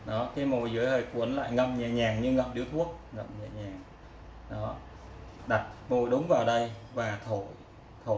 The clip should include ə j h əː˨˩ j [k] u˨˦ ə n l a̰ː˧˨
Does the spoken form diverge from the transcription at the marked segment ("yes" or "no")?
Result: no